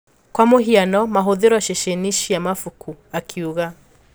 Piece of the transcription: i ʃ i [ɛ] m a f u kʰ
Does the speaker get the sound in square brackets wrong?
yes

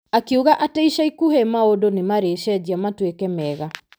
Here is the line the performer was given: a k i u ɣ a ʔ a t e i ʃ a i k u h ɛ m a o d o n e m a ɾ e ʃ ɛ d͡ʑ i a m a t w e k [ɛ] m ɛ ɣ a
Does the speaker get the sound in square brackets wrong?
no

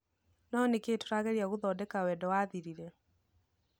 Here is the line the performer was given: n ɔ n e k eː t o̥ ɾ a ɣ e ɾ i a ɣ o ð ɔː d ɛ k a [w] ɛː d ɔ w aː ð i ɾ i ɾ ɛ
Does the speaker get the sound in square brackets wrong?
no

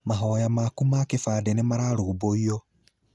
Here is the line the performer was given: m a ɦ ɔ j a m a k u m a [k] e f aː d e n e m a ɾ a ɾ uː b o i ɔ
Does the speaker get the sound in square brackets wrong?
no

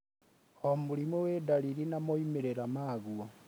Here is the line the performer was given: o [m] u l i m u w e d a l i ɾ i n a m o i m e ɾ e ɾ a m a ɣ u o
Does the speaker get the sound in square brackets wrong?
no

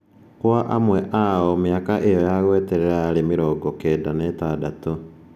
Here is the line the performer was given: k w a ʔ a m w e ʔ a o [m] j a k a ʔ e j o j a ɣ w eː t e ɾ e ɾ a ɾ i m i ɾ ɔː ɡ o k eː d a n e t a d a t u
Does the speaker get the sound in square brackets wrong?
no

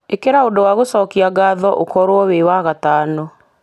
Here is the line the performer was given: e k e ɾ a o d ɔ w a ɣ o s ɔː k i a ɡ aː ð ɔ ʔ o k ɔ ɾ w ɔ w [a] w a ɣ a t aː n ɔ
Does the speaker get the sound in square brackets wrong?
yes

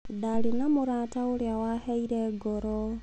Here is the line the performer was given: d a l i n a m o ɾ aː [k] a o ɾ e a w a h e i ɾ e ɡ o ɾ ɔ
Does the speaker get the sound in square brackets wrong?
yes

